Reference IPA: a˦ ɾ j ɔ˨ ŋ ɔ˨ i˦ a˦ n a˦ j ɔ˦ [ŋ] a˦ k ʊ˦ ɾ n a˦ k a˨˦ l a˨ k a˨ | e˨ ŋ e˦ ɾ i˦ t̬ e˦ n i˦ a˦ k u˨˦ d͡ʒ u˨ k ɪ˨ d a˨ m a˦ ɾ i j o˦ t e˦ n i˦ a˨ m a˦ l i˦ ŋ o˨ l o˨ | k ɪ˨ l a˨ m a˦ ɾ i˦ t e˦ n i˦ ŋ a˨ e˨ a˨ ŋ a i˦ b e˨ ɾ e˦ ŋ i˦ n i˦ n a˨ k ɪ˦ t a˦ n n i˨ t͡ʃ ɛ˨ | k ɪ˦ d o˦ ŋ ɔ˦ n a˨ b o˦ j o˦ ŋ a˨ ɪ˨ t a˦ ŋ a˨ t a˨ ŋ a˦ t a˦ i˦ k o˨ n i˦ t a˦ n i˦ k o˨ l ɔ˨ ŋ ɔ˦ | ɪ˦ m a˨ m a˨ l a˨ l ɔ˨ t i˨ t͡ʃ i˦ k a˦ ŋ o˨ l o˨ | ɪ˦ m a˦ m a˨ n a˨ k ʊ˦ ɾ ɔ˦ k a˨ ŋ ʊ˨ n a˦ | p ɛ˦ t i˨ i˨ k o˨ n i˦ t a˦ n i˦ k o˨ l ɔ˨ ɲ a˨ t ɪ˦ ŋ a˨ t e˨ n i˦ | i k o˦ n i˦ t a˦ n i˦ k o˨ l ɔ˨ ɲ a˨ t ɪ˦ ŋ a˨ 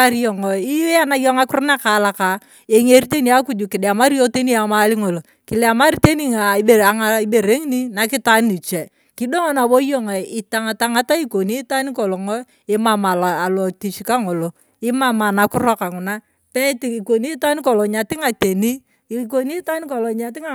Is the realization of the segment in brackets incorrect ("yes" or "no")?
no